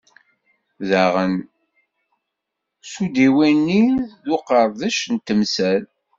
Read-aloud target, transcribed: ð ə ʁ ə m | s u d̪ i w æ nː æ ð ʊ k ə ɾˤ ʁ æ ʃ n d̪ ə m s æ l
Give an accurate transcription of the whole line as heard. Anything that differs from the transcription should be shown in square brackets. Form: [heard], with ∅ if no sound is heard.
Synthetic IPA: ð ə ʁ ə [n] | s u d̪ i w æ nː [i] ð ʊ [q] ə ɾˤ [ð] æ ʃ n [t̪] ə m s æ l